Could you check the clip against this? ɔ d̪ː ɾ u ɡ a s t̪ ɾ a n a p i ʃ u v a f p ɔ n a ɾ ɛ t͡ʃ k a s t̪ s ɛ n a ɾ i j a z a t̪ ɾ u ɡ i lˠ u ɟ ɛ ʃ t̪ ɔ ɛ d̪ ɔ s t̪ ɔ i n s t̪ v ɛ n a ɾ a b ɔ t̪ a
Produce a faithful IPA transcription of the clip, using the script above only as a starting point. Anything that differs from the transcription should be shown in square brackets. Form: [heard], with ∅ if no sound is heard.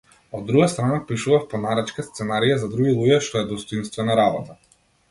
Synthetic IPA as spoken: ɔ d̪ː ɾ u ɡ a s t̪ ɾ a n a p i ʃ u v a f p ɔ n a ɾ ɛ t͡ʃ k a s t̪ s ɛ n a ɾ i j a z a [d̪] ɾ u ɡ i lˠ u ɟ ɛ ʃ t̪ ɔ ɛ d̪ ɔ s t̪ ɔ i n s t̪ v ɛ n a ɾ a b ɔ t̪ a

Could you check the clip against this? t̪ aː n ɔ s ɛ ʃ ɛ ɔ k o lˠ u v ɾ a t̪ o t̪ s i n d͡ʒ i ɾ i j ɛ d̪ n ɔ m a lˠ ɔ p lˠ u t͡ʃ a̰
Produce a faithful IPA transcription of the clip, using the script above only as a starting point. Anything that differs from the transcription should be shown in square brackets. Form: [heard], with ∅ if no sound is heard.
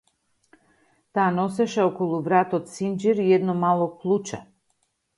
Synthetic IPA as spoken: t̪ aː n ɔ s ɛ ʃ ɛ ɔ k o lˠ u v ɾ a t̪ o t̪ s i n d͡ʒ i ɾ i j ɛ d̪ n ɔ m a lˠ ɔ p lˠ u t͡ʃ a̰

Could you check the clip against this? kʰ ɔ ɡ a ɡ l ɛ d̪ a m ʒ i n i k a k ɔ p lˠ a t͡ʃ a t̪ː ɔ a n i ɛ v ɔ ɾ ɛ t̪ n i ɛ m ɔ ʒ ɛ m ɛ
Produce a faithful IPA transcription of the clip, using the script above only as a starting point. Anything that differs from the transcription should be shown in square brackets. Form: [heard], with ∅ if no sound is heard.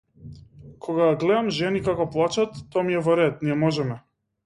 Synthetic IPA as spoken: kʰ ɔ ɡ a ɡ l ɛ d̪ a m ʒ [ɛ] n i k a k ɔ p lˠ a t͡ʃ a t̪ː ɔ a [m] i ɛ v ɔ ɾ ɛ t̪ n i ɛ m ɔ ʒ ɛ m ɛ

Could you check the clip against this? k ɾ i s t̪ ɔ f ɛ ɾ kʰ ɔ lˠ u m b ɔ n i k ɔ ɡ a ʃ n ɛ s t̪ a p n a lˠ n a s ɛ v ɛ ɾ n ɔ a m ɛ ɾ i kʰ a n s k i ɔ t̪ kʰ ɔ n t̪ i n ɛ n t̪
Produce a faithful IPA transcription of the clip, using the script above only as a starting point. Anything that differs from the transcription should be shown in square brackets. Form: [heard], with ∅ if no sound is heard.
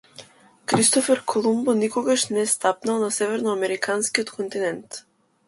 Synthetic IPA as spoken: k ɾ i s t̪ ɔ f ɛ ɾ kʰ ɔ lˠ u m b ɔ n i k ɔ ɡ a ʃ n ɛ s t̪ a p n a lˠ n a s ɛ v ɛ ɾ n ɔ a m ɛ ɾ i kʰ a n s k i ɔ t̪ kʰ ɔ n t̪ i n ɛ n t̪

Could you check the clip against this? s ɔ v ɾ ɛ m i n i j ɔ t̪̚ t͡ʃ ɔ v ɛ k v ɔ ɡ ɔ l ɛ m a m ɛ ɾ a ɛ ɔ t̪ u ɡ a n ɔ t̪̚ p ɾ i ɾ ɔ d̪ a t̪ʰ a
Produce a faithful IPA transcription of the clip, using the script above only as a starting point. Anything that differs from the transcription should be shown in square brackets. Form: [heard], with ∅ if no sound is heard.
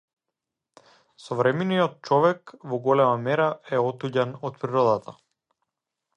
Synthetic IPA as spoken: s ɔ v ɾ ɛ m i n i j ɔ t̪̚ t͡ʃ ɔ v ɛ k v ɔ ɡ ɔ l ɛ m a m ɛ ɾ a ɛ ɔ t̪ u [ɟ] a n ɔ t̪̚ p ɾ i ɾ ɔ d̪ a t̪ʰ a

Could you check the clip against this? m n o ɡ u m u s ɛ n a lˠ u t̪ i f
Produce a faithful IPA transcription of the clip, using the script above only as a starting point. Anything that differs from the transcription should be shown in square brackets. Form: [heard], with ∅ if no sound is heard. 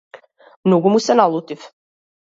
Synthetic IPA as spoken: m n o ɡ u m u s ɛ n a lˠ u t̪ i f

